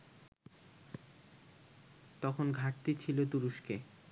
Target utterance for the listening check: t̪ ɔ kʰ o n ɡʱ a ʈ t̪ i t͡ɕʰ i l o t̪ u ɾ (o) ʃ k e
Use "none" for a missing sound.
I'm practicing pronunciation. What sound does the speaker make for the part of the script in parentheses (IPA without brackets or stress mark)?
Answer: u